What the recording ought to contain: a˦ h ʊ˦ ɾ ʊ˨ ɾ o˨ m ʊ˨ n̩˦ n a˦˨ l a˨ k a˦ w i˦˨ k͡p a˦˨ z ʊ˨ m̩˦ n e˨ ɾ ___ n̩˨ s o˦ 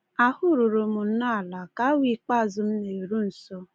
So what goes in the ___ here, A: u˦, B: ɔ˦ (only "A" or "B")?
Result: A